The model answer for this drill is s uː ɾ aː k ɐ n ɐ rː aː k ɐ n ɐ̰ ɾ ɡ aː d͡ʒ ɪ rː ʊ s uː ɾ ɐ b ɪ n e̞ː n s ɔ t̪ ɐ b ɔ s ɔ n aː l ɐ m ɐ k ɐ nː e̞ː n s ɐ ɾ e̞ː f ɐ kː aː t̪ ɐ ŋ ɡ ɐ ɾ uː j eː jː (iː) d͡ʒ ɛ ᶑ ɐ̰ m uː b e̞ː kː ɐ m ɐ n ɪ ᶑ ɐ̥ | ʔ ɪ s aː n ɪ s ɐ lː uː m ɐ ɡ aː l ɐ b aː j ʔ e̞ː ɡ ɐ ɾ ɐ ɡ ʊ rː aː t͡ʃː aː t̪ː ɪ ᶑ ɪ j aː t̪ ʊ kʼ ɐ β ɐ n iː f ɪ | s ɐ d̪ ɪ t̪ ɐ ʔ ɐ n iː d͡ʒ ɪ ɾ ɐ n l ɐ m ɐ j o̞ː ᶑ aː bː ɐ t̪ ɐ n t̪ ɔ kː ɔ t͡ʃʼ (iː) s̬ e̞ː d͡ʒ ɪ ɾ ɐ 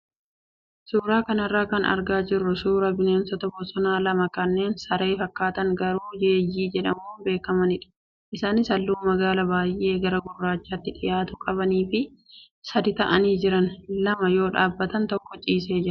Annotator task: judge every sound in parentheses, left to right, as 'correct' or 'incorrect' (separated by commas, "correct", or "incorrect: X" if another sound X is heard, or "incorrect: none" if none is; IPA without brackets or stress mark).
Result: correct, correct